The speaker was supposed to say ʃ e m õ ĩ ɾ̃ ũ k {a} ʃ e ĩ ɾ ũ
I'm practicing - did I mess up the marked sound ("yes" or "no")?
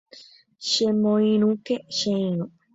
yes